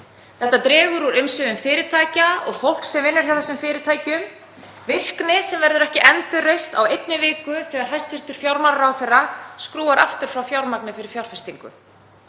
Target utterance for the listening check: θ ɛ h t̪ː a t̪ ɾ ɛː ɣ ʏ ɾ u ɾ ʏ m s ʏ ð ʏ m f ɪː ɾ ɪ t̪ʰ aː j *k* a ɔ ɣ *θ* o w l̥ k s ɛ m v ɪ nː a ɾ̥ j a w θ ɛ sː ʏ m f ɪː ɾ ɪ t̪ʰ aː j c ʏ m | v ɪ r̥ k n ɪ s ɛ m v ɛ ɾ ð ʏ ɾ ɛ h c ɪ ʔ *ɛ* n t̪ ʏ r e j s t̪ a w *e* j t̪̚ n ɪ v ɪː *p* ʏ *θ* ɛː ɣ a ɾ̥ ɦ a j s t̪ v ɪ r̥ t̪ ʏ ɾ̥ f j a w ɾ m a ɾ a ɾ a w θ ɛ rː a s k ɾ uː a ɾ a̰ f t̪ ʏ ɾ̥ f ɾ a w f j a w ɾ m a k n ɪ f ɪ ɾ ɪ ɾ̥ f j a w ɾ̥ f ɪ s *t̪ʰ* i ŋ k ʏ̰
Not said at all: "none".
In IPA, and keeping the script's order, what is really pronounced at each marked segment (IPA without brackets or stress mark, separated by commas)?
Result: c, f, ɛ, e, k, θ, t̪